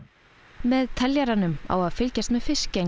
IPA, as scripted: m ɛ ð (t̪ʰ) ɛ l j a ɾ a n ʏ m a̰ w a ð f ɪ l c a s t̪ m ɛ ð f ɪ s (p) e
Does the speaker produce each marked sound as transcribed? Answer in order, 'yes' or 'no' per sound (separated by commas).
yes, no